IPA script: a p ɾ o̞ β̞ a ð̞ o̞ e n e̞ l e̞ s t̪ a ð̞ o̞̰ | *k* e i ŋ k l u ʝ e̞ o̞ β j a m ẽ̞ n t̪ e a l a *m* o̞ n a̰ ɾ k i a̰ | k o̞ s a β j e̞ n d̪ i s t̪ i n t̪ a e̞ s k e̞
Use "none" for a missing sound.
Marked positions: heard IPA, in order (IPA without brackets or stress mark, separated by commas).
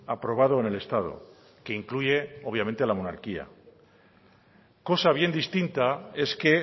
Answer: k, m